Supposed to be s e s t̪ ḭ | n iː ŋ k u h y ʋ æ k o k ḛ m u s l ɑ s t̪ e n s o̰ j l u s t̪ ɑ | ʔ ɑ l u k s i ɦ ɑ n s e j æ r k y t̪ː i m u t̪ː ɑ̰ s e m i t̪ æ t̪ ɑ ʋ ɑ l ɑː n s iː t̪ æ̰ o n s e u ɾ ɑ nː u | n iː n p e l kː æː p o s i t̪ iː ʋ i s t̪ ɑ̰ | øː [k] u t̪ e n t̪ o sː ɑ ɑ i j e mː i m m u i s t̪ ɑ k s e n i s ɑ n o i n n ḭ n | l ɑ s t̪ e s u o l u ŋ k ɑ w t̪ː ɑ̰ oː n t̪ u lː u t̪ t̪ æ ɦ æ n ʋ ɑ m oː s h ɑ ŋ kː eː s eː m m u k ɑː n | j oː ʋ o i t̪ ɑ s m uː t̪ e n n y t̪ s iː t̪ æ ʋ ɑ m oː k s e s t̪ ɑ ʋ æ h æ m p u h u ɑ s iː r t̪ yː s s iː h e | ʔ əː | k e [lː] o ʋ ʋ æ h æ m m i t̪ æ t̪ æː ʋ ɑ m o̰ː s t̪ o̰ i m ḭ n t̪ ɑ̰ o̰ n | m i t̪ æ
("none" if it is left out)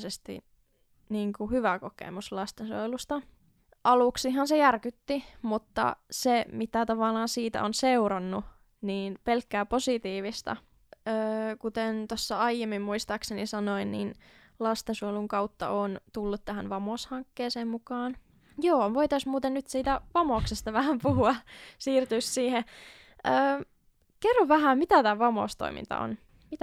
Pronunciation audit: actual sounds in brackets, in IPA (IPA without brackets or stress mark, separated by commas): k, rː